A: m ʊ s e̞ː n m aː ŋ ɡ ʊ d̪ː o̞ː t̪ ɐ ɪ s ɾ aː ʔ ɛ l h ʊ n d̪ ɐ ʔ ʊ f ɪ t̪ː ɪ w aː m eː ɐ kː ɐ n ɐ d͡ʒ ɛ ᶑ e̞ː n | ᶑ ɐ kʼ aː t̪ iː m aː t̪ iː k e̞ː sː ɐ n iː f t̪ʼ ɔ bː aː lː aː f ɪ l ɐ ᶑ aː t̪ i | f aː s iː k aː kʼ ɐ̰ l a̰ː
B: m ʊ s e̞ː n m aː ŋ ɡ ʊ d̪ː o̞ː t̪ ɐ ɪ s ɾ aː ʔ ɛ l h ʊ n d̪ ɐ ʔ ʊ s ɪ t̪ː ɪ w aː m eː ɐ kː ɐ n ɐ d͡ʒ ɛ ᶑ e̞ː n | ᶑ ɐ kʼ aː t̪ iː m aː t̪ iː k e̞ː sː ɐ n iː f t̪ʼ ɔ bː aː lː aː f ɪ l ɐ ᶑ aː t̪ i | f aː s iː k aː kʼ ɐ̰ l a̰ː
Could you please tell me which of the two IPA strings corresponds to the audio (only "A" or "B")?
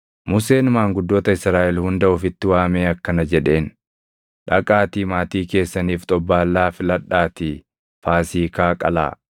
A